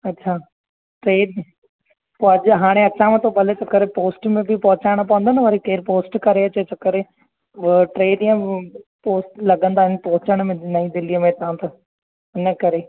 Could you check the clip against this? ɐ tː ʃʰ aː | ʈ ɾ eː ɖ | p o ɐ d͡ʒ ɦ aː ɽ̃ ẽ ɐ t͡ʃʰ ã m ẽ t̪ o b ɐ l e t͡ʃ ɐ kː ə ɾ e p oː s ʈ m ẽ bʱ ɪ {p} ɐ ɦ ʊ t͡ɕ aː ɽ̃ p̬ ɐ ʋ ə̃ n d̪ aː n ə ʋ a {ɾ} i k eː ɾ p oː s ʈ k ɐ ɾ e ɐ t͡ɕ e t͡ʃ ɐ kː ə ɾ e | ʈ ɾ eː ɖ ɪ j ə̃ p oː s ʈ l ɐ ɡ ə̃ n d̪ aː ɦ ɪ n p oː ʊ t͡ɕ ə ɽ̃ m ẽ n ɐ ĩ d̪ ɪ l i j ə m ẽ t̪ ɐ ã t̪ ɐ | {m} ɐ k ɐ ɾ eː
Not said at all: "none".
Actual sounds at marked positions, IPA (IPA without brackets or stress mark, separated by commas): p, ɾ, n